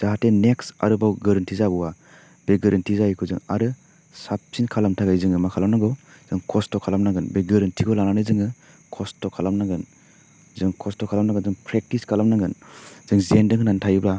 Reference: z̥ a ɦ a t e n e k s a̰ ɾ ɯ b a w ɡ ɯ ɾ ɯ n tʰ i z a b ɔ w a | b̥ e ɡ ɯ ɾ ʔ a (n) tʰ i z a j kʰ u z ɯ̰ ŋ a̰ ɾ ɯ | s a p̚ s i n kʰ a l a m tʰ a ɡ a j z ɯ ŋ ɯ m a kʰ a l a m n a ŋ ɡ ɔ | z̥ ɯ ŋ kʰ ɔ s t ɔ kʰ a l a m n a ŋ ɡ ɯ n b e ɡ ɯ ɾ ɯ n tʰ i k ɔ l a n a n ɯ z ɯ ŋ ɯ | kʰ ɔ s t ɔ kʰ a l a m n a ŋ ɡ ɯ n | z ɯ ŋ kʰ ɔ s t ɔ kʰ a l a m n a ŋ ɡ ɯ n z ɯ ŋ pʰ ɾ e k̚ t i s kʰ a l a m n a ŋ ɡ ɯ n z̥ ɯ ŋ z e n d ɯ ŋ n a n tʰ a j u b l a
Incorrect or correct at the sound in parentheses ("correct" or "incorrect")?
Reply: correct